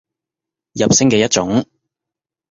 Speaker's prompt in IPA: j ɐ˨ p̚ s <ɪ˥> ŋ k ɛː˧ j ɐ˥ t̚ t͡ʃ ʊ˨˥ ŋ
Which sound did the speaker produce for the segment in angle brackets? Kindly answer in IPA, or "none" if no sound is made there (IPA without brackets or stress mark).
ɪ˥